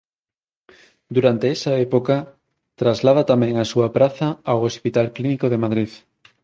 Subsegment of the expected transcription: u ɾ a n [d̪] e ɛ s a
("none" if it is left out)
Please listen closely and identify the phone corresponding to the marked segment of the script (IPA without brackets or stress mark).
t̪